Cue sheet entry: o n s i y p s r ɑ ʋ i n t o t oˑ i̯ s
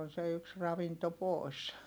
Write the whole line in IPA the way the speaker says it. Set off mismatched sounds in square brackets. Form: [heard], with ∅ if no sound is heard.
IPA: o n s [e] y [k] s r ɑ ʋ i n t o [p] oˑ i̯ s